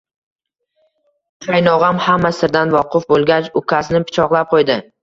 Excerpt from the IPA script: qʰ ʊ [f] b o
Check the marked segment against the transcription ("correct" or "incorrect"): correct